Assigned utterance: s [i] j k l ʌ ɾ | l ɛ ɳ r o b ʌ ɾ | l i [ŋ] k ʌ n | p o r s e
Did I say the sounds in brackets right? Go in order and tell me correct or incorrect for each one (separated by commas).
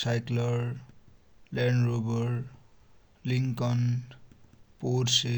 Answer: incorrect, correct